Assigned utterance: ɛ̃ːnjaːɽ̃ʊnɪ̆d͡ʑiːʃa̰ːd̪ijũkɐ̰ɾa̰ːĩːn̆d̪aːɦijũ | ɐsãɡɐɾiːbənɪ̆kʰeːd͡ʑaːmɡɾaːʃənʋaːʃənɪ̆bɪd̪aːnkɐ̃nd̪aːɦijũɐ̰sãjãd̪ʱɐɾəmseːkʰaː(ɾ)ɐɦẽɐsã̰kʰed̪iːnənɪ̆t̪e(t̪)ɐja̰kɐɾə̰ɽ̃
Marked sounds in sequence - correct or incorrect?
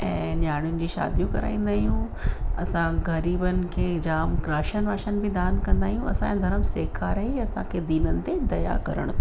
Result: correct, incorrect

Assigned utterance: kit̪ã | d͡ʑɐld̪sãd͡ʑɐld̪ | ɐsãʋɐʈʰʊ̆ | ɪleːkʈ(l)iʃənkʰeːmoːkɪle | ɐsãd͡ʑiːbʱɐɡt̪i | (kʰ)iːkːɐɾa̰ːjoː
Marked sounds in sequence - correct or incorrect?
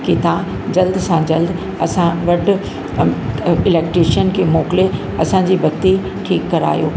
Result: incorrect, incorrect

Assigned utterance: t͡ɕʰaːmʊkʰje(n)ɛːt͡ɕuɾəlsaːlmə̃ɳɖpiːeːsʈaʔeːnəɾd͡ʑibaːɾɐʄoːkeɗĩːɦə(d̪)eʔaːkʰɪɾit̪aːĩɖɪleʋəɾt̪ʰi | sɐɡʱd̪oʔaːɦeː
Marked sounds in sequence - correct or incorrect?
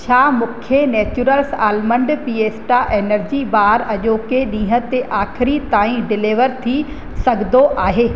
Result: correct, incorrect

